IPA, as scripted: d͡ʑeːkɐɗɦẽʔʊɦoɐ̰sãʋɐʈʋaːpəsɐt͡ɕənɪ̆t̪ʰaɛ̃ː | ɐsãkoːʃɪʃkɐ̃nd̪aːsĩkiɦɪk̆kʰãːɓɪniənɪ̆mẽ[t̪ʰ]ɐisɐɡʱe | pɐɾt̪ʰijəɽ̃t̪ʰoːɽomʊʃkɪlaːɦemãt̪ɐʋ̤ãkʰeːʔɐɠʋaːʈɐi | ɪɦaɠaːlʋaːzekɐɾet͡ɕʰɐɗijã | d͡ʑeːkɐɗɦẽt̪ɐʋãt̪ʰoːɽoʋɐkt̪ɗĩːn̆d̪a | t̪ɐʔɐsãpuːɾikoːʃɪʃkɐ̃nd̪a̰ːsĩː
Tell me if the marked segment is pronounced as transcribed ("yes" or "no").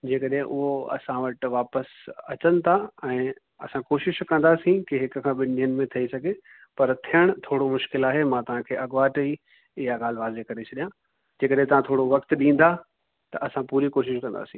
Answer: yes